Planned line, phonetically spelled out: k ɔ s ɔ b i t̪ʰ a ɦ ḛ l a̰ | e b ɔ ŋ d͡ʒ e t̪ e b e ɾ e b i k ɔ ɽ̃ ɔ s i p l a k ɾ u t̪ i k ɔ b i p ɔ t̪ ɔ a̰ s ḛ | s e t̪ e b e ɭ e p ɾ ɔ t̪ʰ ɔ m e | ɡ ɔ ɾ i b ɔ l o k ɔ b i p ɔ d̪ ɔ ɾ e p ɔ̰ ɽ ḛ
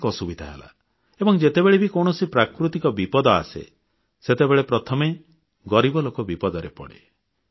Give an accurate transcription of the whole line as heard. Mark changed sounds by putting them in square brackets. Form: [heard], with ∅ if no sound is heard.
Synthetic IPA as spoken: k ɔ s [u] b i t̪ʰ a ɦ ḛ l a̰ | e b ɔ ŋ d͡ʒ e t̪ e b e [ɭ] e b i k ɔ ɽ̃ ɔ s i p [ɾ] a k ɾ u t̪ i k ɔ b i p ɔ [d̪] ɔ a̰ s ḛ | s e t̪ e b e ɭ e p ɾ ɔ t̪ʰ ɔ m e | ɡ ɔ ɾ i b ɔ l o k ɔ b i p ɔ d̪ ɔ ɾ e p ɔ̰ ɽ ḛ